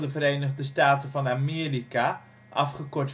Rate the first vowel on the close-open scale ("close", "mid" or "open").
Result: mid